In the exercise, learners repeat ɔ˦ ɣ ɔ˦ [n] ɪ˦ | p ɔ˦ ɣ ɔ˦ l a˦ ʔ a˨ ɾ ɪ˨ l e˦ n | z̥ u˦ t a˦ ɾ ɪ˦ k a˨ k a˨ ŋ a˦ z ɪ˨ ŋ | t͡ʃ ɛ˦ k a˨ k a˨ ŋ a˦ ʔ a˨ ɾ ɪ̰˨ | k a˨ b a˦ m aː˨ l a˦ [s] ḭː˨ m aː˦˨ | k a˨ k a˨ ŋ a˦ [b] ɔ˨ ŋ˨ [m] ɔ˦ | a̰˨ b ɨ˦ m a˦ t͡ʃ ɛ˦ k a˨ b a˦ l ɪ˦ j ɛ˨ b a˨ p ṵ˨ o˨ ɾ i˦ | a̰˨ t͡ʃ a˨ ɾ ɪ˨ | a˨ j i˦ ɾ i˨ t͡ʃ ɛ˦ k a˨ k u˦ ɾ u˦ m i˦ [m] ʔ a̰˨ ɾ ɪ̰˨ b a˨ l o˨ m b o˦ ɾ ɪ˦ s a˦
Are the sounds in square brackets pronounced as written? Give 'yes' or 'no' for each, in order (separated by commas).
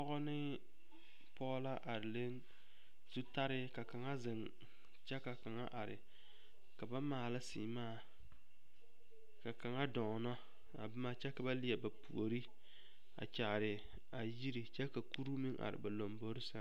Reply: yes, yes, no, no, no